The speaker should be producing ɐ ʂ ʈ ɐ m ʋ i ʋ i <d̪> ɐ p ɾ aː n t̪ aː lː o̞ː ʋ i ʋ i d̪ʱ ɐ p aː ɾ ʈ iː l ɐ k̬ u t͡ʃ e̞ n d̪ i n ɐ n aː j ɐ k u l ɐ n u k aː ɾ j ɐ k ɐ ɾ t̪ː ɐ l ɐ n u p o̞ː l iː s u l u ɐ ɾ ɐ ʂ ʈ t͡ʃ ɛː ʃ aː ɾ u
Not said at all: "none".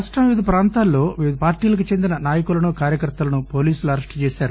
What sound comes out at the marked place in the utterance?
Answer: d̪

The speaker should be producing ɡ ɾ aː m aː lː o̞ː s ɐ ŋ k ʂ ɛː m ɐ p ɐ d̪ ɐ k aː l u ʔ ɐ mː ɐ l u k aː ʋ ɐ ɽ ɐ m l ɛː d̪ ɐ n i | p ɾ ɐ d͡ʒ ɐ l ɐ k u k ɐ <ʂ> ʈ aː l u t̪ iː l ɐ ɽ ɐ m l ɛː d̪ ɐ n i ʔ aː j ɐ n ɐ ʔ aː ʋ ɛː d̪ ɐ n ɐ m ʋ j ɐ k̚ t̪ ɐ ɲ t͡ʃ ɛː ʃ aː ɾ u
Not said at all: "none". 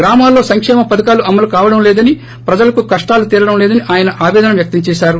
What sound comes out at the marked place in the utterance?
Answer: ʂ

